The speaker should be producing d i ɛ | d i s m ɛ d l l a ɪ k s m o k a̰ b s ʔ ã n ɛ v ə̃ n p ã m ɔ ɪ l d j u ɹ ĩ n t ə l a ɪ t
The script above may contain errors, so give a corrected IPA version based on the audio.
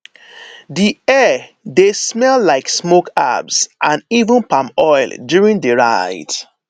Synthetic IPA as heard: d i ɛ | d e s m ɛ l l a ɪ k s m o k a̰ b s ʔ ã n i v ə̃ n p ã m ɔ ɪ l d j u ɹ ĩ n d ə ɹ a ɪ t